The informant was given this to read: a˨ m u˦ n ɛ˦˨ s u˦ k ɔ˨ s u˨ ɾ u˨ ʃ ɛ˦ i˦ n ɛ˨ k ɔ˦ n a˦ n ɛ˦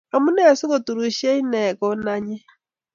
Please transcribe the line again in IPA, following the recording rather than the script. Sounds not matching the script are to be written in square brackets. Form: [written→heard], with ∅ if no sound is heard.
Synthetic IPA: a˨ m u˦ n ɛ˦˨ s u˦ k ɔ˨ [s→t] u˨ ɾ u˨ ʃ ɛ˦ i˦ n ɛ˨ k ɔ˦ n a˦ [n→ɲ] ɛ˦